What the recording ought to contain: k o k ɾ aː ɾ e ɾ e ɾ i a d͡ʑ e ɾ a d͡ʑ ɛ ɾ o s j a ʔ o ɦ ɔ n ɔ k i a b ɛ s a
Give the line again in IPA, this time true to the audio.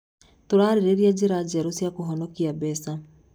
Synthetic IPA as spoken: t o ɾ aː ɾ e ɾ e ɾ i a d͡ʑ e ɾ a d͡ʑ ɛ ɾ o s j a k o ɦ ɔ n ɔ k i a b ɛ s a